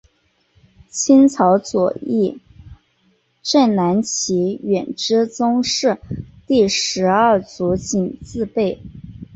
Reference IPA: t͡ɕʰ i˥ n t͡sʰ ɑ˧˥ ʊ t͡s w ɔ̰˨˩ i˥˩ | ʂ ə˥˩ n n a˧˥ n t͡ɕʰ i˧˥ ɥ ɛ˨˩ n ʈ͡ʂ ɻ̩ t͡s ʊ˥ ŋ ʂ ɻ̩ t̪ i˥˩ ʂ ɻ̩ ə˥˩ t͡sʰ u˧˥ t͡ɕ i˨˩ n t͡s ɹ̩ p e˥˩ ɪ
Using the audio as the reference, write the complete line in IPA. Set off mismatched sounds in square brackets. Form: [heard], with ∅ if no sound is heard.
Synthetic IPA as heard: t͡ɕʰ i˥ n t͡sʰ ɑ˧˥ ʊ t͡s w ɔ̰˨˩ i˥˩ | [ʈ͡ʂ] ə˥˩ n n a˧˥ n t͡ɕʰ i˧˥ ɥ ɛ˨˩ n ʈ͡ʂ ɻ̩ t͡s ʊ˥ ŋ ʂ ɻ̩ t̪ i˥˩ ʂ ɻ̩ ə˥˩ [t͡s] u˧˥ t͡ɕ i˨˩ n t͡s ɹ̩ p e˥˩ ɪ

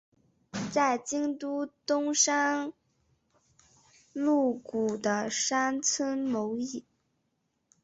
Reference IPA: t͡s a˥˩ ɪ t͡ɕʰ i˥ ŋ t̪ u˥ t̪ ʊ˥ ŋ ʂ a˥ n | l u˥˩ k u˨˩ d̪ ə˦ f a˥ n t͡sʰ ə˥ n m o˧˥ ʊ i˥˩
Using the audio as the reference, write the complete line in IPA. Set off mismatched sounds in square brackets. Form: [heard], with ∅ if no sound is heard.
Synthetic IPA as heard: t͡s a˥˩ ɪ [t͡ɕ] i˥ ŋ t̪ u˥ t̪ ʊ˥ ŋ ʂ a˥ n | l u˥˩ k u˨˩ d̪ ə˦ [ʂ] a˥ n t͡sʰ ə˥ n m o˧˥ ʊ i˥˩

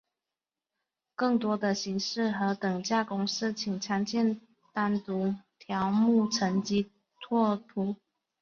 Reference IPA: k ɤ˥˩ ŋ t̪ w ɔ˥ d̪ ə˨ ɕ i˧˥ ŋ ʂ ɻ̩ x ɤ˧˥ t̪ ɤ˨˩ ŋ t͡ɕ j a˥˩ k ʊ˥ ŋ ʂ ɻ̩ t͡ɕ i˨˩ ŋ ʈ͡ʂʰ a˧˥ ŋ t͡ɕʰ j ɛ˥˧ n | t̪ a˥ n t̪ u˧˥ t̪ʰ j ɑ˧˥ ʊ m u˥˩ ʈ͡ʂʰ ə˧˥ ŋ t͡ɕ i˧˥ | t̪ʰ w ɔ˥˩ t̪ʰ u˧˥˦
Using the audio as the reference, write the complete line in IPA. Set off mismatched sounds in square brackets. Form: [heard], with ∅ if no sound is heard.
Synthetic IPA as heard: k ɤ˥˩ ŋ t̪ w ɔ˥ d̪ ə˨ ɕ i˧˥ ŋ ʂ ɻ̩ x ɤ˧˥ t̪ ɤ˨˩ ŋ t͡ɕ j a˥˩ k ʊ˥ ŋ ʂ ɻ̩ [t͡ɕʰ] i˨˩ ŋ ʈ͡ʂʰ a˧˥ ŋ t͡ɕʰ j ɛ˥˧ n | t̪ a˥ n t̪ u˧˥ t̪ʰ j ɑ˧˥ ʊ m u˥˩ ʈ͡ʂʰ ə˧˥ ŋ t͡ɕ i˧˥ | t̪ʰ w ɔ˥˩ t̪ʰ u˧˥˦

